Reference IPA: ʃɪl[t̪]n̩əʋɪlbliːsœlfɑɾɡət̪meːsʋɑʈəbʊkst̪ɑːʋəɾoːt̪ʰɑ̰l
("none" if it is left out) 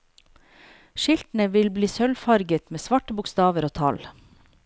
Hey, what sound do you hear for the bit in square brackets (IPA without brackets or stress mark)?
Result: t̪